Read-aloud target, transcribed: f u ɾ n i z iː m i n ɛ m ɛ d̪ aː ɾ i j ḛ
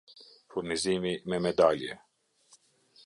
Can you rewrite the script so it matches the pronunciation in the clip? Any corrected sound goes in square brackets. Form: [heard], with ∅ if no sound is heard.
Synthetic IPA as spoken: f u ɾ n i z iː m i [m] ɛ m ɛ d̪ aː [l] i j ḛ

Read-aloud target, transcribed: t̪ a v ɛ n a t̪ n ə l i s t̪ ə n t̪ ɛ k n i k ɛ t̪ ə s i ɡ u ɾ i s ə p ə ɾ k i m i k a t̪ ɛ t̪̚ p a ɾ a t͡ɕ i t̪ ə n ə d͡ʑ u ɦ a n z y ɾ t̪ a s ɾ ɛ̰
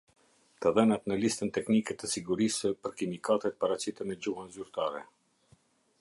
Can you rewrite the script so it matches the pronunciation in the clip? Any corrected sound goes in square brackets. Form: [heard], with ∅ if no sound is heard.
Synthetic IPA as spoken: t̪ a [ð] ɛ n a t̪ n ə l i s t̪ ə n t̪ ɛ k n i k ɛ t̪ ə s i ɡ u ɾ i s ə p ə ɾ k i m i k a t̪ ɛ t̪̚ p a ɾ a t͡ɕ i t̪ ə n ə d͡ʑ u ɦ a n z y ɾ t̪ a [∅] ɾ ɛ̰

